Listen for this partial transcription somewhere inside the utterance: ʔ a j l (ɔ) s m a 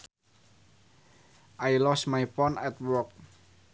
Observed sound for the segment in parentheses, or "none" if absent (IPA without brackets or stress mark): ɔ